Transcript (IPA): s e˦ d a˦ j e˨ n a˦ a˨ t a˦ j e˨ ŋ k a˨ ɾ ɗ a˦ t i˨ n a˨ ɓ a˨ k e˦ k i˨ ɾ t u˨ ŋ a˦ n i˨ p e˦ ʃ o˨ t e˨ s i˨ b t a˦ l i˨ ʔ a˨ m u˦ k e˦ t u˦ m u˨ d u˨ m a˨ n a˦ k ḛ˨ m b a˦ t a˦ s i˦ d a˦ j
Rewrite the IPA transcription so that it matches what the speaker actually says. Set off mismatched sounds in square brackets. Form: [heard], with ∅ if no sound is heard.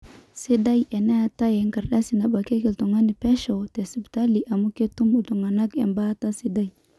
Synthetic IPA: s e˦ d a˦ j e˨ n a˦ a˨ t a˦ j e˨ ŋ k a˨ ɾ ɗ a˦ [s] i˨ n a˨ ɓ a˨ k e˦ k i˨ [l] t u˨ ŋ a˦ n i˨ p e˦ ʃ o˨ t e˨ s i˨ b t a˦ l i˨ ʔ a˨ m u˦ k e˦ t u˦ m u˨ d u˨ [ŋ] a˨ n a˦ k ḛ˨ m b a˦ t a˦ s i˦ d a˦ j

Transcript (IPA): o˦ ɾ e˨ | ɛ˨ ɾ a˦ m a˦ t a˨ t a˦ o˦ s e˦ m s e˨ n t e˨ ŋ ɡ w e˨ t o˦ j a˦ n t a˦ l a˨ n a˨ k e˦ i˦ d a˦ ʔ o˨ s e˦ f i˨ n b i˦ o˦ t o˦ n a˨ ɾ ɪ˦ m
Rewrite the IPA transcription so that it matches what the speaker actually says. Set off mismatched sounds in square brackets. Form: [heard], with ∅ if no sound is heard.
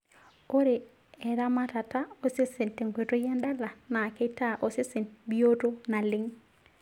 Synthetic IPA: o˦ ɾ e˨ | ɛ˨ ɾ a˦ m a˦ t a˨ t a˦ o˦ s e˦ [∅] s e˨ n t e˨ ŋ ɡ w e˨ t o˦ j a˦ n [d] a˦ l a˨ n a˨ k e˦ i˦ [t] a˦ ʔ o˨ s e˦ [s] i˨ n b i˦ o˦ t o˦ n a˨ [l] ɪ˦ [ŋ]

